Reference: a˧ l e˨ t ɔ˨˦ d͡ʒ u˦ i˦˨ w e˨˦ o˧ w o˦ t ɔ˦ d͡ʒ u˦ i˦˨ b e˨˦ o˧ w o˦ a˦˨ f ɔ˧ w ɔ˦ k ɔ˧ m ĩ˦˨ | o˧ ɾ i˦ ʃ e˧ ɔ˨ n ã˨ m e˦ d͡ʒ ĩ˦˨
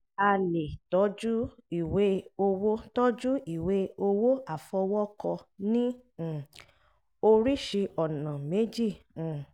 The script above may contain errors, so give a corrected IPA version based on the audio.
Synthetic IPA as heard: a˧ l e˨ t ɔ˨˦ d͡ʒ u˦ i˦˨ w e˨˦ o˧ w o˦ t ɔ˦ d͡ʒ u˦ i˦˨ w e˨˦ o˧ w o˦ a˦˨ f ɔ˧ w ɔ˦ k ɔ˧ n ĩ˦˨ | o˧ ɾ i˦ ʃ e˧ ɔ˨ n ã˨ m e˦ d͡ʒ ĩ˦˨

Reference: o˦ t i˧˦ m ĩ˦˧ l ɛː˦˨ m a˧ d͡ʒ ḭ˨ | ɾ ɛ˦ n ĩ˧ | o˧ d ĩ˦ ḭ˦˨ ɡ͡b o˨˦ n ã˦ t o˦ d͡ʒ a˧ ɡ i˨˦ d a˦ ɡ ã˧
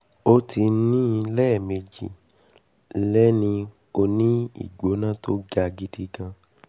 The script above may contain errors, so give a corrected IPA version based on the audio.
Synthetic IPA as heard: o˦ t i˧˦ n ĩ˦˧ l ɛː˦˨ m e˧ d͡ʒ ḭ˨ | l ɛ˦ n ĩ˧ | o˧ n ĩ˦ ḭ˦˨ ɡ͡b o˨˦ n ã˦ t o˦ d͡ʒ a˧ ɡ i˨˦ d i˦ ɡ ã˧

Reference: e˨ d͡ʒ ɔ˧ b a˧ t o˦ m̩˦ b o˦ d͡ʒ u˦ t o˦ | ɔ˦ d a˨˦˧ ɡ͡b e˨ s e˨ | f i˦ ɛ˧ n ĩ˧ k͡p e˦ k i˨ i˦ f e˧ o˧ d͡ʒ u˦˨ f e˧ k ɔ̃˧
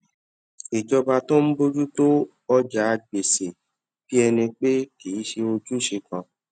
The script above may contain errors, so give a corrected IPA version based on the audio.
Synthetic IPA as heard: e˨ d͡ʒ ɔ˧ b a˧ t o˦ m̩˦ b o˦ d͡ʒ u˦ t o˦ | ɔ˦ d͡ʒ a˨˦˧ ɡ͡b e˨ s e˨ | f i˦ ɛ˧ n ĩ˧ k͡p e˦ k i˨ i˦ ʃ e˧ o˧ d͡ʒ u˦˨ ʃ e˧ k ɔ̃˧

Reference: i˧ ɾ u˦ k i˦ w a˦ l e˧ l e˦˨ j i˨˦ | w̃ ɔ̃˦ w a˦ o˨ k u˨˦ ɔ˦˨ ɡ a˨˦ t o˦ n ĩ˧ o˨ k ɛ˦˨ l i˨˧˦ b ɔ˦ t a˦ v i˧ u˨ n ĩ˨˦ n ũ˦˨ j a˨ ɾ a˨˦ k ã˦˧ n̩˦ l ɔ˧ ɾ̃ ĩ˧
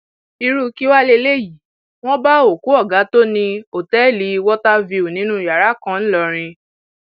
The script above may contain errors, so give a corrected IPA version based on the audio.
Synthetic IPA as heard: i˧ ɾ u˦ k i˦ w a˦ l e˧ l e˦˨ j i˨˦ | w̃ ɔ̃˦ b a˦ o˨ k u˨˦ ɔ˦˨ ɡ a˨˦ t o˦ n ĩ˧ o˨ t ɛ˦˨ l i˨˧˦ w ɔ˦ t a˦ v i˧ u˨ n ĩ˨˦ n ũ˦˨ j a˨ ɾ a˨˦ k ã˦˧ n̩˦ l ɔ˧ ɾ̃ ĩ˧

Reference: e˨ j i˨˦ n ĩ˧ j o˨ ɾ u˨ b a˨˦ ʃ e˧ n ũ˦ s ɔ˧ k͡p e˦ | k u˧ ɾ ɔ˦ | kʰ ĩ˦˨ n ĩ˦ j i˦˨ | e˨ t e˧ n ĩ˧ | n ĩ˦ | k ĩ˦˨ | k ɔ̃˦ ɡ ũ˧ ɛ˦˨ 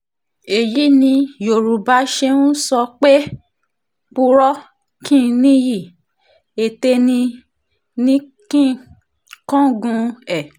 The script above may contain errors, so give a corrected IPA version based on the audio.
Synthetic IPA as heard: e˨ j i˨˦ n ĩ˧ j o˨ ɾ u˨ b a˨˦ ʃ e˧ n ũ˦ s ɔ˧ k͡p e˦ | k͡p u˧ ɾ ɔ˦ | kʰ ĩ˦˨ n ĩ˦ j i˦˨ | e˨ t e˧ n ĩ˧ | n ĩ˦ | k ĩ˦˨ | k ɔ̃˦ ɡ ũ˧ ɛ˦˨

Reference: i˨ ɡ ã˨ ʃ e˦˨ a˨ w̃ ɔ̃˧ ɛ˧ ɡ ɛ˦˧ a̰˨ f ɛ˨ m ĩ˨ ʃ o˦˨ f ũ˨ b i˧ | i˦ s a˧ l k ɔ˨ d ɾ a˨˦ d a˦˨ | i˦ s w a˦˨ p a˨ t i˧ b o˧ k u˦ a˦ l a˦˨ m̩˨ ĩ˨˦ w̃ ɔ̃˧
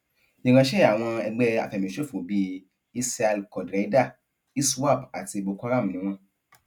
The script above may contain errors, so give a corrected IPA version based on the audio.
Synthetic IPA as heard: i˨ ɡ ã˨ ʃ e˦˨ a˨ w̃ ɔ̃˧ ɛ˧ ɡ͡b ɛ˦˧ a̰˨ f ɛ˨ m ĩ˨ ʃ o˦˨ f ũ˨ b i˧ | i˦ s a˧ l k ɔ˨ d ɾ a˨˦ d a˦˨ | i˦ s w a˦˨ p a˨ t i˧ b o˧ k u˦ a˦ ɾ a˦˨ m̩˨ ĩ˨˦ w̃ ɔ̃˧

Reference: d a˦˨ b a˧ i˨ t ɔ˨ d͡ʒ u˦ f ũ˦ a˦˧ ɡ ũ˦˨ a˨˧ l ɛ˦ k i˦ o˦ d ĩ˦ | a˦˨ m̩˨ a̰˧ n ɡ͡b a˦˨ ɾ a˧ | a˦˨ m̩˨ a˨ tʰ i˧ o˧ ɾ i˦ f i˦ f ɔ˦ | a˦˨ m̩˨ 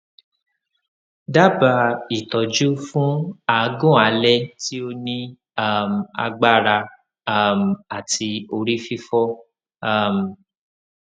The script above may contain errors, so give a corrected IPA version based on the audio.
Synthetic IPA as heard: d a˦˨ b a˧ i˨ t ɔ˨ d͡ʒ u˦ f ũ˦ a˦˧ ɡ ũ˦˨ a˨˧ l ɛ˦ t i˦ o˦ n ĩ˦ | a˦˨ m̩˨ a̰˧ ɡ͡b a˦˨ ɾ a˧ | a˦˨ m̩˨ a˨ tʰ i˧ o˧ ɾ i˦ f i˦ f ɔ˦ | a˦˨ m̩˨

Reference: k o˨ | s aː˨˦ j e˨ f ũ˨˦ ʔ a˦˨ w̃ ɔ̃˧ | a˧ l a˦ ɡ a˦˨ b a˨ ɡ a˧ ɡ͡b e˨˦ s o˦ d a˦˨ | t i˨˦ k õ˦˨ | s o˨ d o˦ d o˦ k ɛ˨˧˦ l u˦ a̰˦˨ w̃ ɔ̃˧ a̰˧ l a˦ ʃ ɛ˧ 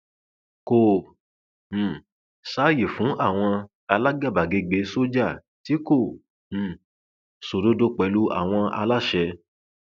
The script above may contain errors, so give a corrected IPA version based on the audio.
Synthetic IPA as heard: k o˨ | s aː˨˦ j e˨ f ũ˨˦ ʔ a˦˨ w̃ ɔ̃˧ | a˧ l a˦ ɡ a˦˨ b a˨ ɡ e˧ ɡ͡b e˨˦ s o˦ d͡ʒ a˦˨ | t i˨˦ k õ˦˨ | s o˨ d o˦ d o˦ k͡p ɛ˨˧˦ l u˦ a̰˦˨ w̃ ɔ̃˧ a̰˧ l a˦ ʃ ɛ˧

